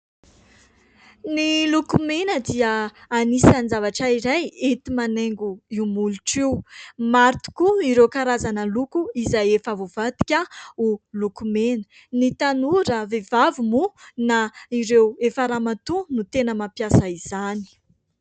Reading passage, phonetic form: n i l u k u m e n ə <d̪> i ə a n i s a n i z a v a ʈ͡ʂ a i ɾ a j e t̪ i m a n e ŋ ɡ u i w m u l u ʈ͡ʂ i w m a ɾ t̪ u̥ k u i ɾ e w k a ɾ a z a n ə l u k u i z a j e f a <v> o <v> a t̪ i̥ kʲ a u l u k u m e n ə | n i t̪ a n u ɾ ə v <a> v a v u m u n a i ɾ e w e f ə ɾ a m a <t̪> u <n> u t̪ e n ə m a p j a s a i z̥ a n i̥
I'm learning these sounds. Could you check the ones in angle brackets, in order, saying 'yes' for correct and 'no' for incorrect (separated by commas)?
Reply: yes, yes, yes, no, yes, yes